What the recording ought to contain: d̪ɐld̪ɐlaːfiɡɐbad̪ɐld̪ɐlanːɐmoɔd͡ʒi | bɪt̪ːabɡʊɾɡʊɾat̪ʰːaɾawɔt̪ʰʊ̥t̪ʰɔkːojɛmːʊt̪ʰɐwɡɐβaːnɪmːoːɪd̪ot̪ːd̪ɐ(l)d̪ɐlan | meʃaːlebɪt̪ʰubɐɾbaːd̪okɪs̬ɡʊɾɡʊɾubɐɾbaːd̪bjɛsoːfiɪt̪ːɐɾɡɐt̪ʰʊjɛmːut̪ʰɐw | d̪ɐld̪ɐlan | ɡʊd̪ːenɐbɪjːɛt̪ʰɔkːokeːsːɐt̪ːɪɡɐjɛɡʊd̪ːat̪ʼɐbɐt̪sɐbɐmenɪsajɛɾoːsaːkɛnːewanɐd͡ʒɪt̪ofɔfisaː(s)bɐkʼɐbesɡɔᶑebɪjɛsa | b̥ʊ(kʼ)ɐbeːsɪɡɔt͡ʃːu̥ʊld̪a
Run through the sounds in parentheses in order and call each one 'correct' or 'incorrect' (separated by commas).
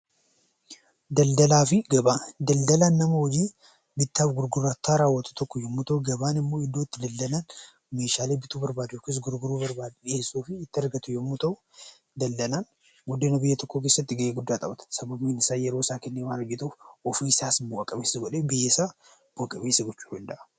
correct, correct, correct